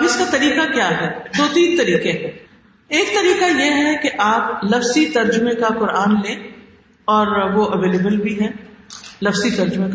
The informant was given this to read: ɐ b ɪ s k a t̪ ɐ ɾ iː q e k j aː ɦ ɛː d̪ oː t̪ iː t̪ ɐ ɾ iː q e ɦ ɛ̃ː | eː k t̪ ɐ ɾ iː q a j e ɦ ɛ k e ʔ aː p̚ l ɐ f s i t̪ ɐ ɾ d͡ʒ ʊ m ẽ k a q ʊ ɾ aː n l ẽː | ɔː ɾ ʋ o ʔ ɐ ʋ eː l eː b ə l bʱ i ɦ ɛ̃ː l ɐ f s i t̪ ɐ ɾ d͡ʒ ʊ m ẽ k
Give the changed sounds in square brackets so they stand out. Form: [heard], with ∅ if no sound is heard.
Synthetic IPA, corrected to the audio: ɐ b ɪ s k a t̪ ɐ ɾ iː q [a] k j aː ɦ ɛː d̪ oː t̪ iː t̪ ɐ ɾ iː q e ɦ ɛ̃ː | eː k t̪ ɐ ɾ iː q a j e ɦ ɛ k e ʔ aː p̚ l ɐ f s i t̪ ɐ ɾ d͡ʒ ʊ m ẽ k a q ʊ ɾ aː n l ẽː | ɔː ɾ ʋ o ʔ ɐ ʋ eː l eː b ə l bʱ i ɦ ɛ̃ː l ɐ f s i t̪ ɐ ɾ d͡ʒ ʊ m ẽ k